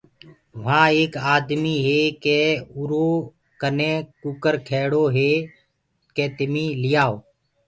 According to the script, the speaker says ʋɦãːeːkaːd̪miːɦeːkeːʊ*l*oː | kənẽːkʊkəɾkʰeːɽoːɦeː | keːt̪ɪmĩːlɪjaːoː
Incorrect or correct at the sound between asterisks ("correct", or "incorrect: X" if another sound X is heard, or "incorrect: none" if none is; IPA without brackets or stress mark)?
incorrect: ɾ